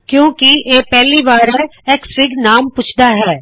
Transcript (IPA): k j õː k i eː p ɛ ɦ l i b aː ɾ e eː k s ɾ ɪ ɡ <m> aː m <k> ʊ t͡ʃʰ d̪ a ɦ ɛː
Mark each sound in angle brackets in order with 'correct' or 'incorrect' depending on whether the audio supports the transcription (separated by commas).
incorrect, incorrect